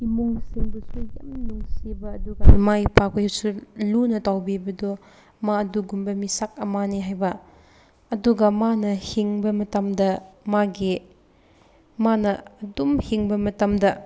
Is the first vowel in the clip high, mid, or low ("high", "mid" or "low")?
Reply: high